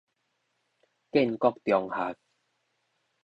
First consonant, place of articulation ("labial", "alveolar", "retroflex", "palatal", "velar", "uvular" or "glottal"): velar